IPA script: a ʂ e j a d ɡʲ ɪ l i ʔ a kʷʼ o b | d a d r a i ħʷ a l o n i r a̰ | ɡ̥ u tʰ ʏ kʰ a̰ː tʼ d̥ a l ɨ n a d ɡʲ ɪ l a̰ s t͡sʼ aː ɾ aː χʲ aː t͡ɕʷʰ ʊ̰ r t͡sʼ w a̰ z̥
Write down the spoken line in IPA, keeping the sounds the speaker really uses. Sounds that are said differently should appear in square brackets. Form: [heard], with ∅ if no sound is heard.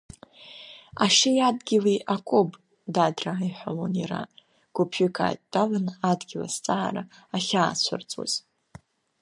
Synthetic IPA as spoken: a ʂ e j a d ɡʲ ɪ l i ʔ a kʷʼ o b | d a d r a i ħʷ a l o n i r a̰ | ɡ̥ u [pʰ] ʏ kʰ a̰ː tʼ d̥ a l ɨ n a d ɡʲ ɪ l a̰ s t͡sʼ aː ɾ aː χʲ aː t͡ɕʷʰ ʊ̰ r t͡sʼ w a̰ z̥